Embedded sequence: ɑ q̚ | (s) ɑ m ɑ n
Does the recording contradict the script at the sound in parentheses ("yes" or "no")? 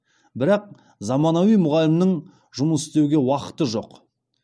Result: yes